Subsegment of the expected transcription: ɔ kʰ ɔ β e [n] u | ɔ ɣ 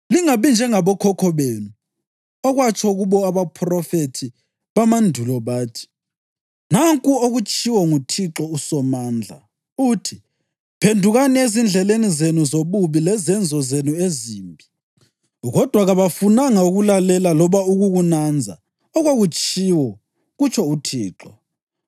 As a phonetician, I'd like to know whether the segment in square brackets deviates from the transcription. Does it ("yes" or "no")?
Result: no